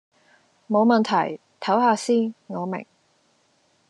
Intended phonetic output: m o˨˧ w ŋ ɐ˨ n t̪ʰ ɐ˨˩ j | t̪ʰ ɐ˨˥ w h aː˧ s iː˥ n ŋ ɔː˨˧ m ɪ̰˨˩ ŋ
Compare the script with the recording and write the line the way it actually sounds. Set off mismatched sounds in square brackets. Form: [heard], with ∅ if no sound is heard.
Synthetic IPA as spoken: m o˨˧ w [m] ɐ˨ n t̪ʰ ɐ˨˩ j | t̪ʰ ɐ˨˥ w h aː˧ s iː˥ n ŋ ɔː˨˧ m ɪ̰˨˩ ŋ